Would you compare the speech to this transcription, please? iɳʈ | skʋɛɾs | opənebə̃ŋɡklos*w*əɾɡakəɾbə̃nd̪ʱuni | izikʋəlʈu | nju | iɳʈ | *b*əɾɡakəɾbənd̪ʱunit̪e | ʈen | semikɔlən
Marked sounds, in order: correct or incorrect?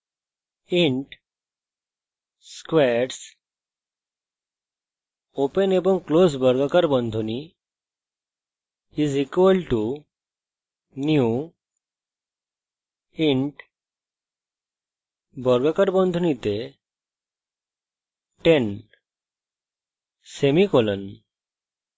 incorrect: b, correct

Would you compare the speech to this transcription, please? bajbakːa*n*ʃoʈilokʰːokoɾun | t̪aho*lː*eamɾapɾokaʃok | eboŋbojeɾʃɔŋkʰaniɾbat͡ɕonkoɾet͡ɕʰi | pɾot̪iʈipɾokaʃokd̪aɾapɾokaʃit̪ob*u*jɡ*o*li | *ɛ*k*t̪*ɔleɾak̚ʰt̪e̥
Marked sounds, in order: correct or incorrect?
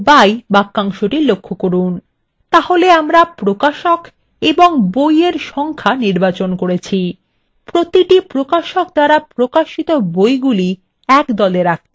incorrect: ŋ, incorrect: l, incorrect: o, incorrect: u, correct, incorrect: d̪

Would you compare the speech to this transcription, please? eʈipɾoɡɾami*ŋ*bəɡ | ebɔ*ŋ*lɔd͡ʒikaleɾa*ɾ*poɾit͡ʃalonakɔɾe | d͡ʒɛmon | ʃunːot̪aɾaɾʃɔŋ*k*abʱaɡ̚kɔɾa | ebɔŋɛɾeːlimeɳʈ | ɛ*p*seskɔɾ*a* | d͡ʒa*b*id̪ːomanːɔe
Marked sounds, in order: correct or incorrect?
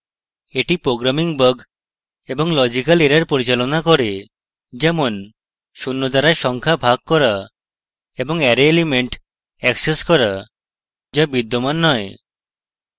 correct, correct, correct, incorrect: kʰ, incorrect: k, correct, correct

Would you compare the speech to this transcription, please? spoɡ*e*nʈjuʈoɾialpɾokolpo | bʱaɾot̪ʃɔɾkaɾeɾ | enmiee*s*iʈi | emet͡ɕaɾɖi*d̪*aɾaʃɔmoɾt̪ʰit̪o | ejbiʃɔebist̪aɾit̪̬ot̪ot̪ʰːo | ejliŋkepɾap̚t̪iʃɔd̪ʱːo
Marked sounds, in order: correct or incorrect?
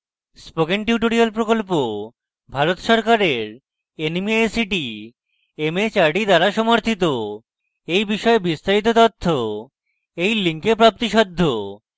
correct, correct, correct

